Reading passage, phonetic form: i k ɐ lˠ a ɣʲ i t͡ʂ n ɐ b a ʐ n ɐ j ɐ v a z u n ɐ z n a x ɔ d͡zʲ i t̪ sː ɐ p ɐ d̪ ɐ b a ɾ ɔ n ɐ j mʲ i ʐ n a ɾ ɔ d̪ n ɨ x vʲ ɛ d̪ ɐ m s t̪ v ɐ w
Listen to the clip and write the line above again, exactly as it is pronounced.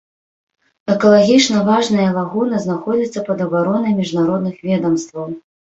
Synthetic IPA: ɛ k ɐ lˠ a ɣʲ i t͡ʂ n ɐ v a ʐ n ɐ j ɐ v a ɣ u n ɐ z n a x ɔ d͡zʲ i t̪ sː ɐ p ɐ d̪ ɐ b a ɾ ɔ n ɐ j mʲ i ʐ n a ɾ ɔ d̪ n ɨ x vʲ ɛ d̪ ɐ m s t̪ v ɐ w